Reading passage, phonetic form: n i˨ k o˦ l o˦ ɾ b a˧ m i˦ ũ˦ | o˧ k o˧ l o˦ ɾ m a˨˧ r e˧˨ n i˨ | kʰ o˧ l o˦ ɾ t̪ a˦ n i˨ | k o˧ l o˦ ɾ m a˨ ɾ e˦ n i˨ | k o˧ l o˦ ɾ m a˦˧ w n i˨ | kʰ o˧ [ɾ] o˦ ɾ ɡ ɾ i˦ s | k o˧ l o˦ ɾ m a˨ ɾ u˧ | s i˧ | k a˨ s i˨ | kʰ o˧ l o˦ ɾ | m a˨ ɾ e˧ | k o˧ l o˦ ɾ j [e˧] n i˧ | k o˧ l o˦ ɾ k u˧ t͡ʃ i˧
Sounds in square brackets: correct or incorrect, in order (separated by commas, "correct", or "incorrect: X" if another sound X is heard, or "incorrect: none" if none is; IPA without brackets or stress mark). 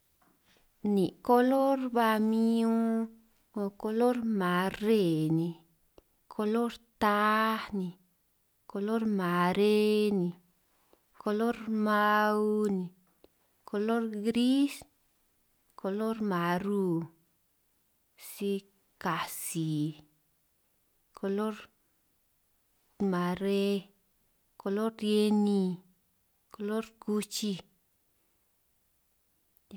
incorrect: l, correct